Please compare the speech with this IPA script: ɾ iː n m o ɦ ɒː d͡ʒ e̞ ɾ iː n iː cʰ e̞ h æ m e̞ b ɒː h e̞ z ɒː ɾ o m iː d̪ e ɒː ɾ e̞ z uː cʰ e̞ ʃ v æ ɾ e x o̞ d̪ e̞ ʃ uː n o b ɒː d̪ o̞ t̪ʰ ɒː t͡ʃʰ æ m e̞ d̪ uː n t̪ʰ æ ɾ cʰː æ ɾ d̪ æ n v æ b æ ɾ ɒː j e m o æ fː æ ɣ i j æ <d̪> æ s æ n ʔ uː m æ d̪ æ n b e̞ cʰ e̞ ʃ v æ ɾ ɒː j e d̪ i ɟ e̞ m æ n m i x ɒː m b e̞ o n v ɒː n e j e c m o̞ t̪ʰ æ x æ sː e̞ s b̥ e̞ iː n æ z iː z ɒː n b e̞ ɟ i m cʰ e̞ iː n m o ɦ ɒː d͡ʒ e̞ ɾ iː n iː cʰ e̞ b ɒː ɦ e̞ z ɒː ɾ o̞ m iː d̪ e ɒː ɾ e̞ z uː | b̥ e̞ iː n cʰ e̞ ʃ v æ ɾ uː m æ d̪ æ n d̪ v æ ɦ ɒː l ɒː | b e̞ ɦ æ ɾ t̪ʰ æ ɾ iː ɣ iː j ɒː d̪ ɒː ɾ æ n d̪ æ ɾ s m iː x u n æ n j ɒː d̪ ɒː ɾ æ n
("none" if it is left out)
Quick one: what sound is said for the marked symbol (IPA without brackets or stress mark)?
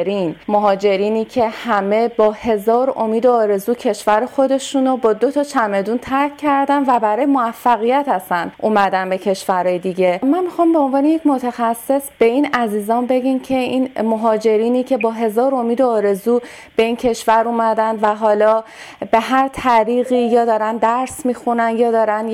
t̪